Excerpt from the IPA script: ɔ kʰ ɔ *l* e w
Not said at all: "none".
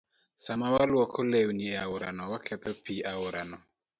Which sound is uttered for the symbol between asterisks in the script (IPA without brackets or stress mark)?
l